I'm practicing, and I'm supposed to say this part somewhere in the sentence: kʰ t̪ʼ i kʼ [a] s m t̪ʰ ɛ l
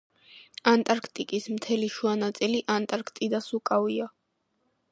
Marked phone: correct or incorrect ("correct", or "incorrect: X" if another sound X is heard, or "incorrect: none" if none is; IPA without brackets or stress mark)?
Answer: incorrect: i